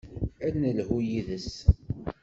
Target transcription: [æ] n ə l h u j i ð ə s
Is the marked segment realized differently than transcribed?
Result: no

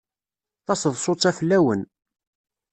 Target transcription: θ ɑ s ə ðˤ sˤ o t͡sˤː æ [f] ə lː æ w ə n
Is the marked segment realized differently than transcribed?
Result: no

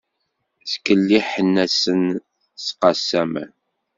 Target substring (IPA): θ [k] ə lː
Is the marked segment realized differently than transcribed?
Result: no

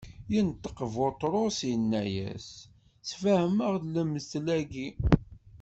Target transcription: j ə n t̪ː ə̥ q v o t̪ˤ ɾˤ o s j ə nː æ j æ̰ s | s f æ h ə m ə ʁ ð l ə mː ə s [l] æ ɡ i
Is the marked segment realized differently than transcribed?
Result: no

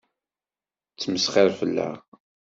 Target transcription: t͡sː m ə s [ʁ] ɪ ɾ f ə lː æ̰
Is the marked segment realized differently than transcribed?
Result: yes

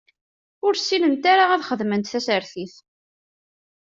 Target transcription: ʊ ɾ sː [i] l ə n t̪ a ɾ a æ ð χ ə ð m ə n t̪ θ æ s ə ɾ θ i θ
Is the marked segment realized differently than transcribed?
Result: no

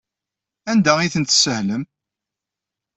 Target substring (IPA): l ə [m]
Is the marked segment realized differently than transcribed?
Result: no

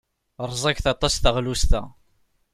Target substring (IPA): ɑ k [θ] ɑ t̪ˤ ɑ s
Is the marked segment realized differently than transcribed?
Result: no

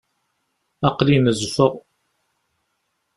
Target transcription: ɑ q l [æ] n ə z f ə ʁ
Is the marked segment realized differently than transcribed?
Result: yes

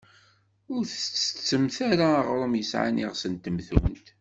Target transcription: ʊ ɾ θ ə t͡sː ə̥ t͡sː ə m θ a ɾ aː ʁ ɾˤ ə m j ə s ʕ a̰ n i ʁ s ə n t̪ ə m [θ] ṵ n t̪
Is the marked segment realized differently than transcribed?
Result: no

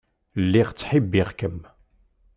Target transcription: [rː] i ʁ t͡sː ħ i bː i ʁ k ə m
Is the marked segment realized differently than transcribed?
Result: yes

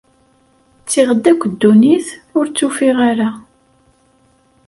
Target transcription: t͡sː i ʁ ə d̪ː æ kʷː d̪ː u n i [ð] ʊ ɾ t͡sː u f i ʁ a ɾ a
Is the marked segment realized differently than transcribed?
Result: yes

